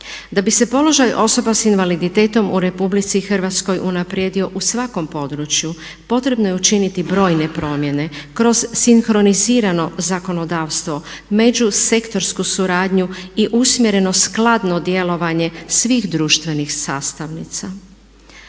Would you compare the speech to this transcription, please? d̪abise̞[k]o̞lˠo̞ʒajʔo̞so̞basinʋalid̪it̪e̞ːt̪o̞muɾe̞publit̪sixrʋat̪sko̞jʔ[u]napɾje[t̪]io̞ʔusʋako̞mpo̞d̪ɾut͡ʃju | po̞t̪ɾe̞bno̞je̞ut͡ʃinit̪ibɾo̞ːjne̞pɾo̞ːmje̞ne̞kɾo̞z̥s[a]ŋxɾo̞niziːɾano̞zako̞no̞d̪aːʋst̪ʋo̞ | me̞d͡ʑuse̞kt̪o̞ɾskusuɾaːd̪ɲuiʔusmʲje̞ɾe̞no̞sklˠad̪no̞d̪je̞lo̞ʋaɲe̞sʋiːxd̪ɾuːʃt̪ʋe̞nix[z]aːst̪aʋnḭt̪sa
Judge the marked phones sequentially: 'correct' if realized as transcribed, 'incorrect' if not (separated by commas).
incorrect, correct, incorrect, incorrect, incorrect